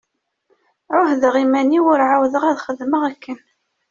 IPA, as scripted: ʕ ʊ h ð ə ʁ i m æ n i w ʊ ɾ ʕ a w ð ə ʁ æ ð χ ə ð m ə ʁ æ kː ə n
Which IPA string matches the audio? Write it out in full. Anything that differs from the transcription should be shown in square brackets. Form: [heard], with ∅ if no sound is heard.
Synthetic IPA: ʕ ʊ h ð ə ʁ i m æ n i w ʊ ɾ ʕ a w ð ə ʁ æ ð χ ə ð m ə ʁ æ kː ə n